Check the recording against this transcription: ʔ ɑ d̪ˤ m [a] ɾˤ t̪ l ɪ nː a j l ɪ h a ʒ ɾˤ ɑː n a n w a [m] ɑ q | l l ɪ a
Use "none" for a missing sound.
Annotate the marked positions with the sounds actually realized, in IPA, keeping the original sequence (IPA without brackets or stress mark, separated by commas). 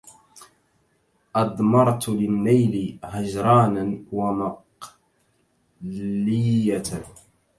ɑ, m